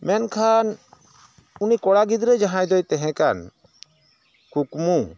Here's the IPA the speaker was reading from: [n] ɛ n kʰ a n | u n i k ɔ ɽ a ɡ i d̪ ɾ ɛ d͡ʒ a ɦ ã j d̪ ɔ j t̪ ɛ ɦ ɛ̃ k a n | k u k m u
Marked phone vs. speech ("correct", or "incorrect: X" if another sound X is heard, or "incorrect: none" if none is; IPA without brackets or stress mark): incorrect: m